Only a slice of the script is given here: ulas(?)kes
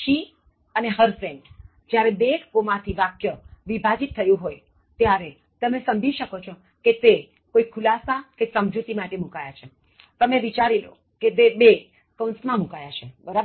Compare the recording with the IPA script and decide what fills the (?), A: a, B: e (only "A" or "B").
A